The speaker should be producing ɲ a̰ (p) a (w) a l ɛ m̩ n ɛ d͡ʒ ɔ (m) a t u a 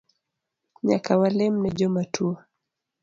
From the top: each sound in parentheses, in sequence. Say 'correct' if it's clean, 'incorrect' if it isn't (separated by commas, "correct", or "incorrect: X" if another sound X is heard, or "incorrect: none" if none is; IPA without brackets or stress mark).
incorrect: k, correct, correct